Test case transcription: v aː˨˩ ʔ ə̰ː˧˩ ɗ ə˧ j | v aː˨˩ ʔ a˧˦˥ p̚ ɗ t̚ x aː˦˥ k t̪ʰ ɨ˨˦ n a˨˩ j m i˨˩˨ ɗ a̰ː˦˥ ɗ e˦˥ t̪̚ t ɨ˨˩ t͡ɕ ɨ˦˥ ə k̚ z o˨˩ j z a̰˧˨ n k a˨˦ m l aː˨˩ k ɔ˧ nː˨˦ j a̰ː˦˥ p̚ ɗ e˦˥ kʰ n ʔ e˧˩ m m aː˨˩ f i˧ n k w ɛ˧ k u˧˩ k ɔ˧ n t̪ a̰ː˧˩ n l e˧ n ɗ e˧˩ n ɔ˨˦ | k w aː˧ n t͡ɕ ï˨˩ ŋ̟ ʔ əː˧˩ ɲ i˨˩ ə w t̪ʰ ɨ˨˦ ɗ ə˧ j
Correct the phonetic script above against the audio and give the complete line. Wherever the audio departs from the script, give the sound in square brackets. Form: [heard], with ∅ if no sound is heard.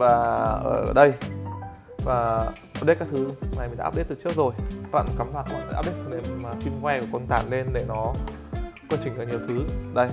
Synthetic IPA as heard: v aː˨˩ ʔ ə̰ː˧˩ ɗ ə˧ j | v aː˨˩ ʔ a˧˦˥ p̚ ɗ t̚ [k] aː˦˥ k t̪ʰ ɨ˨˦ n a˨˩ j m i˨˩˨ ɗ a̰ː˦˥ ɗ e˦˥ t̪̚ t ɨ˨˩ t͡ɕ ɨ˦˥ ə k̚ z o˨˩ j [v] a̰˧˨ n k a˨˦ m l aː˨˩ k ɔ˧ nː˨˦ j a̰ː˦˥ p̚ ɗ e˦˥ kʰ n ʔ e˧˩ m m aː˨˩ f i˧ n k w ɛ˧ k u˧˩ k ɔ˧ n t̪ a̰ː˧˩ n l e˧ n ɗ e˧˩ n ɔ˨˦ | k w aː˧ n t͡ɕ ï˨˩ ŋ̟ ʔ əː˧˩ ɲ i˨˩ ə w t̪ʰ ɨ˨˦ ɗ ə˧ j

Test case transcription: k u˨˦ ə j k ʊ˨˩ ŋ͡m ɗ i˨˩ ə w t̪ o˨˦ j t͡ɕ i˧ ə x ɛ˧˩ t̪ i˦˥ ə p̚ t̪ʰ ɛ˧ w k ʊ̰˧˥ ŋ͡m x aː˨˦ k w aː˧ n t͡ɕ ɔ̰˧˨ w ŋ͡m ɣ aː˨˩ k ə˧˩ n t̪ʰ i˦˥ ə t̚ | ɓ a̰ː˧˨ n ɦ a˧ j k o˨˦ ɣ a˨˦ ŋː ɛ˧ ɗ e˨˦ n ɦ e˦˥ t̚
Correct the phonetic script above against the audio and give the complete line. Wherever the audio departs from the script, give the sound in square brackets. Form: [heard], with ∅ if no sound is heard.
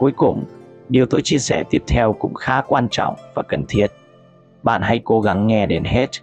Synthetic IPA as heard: k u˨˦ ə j k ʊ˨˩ ŋ͡m ɗ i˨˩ ə w t̪ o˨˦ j t͡ɕ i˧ ə [s] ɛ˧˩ t̪ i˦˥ ə p̚ t̪ʰ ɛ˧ w k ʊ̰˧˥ ŋ͡m x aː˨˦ k w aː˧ n t͡ɕ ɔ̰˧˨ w ŋ͡m [v] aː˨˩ k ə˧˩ n t̪ʰ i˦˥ ə t̚ | ɓ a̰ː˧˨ n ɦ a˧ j k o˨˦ ɣ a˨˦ ŋː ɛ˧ ɗ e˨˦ n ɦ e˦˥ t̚

